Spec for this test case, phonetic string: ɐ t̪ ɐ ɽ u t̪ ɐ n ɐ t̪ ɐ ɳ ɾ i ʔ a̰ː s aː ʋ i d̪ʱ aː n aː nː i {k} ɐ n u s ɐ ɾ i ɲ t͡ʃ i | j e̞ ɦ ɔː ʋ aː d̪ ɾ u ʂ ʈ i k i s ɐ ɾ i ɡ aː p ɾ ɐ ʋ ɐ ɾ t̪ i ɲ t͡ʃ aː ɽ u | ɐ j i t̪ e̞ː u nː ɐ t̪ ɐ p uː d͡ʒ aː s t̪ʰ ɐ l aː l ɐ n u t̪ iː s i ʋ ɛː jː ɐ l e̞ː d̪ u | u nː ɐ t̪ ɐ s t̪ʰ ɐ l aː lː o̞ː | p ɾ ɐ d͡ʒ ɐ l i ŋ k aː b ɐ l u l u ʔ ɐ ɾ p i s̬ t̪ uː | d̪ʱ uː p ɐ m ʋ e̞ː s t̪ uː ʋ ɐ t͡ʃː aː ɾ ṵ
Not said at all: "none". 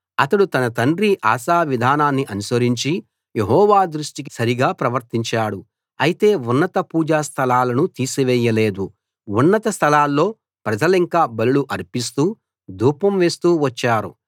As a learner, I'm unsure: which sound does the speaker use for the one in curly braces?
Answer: ʔ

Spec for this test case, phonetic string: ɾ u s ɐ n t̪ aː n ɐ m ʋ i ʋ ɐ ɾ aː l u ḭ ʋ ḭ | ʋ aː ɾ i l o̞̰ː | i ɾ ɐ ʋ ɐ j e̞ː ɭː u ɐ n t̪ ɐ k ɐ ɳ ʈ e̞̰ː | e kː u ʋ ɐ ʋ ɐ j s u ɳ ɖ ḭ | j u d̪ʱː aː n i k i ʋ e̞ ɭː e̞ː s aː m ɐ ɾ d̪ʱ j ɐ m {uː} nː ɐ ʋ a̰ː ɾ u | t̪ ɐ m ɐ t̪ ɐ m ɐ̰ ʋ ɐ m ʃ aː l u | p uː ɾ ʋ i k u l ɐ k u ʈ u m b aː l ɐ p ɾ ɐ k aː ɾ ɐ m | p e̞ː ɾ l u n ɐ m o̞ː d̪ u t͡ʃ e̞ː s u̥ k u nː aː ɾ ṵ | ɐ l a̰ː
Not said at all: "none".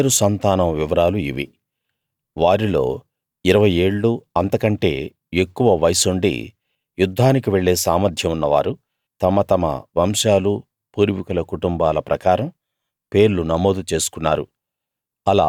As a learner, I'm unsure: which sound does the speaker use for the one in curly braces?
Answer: u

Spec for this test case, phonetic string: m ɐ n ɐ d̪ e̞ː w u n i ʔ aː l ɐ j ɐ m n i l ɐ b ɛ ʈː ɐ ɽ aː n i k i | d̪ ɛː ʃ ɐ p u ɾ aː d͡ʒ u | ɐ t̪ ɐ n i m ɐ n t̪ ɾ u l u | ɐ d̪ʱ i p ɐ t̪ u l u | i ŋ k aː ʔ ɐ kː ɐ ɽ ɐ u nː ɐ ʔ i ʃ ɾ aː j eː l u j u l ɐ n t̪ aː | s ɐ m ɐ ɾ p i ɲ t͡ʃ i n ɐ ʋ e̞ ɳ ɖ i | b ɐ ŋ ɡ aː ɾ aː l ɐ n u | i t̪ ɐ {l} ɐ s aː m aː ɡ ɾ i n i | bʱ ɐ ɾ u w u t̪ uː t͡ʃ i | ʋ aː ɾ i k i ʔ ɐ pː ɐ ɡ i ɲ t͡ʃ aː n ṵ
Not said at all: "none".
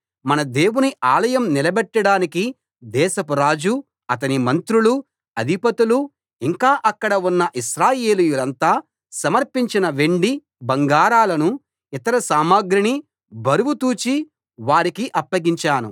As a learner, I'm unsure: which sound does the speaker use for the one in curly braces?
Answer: ɾ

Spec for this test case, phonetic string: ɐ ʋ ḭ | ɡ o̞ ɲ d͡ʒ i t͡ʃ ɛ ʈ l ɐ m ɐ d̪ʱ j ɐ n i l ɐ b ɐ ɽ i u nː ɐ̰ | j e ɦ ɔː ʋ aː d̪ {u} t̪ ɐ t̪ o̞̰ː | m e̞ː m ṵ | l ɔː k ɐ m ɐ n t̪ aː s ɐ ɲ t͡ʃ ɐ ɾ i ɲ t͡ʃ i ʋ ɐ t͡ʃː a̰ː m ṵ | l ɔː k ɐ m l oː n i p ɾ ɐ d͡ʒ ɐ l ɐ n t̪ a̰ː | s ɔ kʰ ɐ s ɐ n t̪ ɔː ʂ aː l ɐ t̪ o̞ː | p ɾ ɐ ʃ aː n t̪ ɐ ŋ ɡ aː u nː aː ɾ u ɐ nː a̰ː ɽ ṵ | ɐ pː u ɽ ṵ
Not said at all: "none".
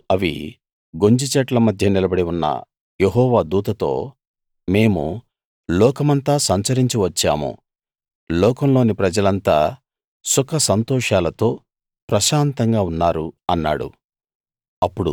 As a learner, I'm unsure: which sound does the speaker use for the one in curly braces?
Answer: uː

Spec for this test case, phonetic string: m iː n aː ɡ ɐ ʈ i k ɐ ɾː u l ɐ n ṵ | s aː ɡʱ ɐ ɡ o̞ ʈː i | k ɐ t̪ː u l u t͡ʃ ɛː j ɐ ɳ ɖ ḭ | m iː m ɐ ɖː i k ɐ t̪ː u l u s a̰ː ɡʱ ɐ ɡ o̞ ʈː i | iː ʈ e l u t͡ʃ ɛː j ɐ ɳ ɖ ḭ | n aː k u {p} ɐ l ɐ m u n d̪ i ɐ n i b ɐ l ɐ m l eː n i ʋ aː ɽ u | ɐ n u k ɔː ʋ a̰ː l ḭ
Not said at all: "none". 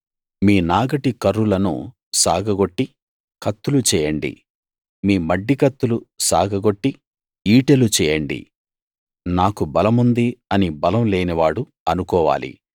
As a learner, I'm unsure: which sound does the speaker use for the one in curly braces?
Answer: b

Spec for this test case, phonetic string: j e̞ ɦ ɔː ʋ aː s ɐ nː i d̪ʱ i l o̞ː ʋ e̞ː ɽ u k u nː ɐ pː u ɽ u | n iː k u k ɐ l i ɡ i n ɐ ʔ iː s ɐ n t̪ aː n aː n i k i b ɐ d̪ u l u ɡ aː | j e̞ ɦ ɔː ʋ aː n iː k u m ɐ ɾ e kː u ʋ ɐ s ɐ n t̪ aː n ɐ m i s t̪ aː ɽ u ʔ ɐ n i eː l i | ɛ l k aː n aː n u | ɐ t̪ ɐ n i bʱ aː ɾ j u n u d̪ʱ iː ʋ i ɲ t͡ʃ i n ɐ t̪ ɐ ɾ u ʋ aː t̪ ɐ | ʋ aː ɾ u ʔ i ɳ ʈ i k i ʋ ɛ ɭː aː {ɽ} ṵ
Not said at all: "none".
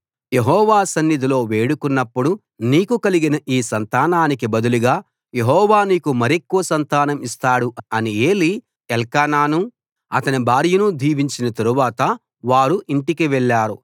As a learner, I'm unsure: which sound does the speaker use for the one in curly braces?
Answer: ɾ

